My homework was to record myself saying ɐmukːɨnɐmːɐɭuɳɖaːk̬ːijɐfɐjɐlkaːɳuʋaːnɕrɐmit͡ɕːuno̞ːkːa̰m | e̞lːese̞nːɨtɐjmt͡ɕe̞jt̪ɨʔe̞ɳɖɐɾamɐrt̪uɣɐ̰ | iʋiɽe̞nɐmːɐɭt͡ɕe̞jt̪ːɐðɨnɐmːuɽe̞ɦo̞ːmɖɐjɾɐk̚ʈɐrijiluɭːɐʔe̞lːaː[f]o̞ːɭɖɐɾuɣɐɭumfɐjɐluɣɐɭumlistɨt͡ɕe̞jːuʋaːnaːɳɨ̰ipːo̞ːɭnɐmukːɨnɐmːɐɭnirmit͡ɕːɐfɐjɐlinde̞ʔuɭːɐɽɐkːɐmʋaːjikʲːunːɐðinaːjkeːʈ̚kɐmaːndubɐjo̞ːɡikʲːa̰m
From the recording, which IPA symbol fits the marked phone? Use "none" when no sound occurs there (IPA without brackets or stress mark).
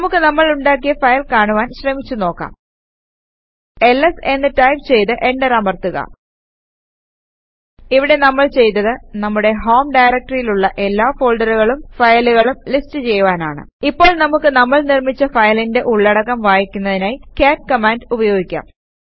f